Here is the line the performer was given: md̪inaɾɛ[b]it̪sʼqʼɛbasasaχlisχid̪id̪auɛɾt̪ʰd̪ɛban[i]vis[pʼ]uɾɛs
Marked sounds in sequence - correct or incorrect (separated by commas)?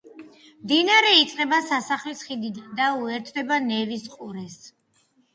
incorrect, incorrect, incorrect